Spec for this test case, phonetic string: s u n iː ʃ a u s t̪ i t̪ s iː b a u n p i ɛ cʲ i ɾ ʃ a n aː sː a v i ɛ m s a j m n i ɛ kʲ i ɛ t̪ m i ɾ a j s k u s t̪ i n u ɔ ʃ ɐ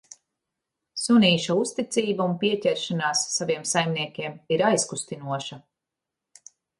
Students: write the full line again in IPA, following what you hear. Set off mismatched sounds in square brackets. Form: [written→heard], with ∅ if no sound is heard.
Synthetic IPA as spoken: s u n iː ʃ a u s t̪ i t̪ s iː b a u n p i ɛ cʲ [i→ɛ] ɾ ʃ a n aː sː a v i ɛ m s a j m n i ɛ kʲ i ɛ [t̪→∅] m i ɾ a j s k u s t̪ i n u ɔ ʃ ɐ